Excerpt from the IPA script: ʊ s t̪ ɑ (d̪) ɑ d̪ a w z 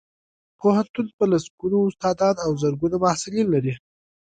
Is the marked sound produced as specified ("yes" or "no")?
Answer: yes